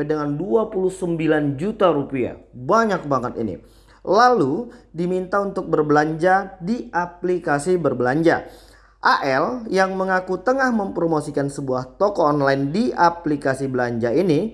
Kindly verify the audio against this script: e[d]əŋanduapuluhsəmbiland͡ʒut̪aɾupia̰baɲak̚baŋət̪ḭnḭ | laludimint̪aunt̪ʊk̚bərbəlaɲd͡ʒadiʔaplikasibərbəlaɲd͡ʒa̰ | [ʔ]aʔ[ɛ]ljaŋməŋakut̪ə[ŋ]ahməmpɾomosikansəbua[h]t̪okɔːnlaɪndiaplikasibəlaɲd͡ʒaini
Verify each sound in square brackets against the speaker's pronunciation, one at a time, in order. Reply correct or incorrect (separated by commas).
correct, correct, correct, correct, correct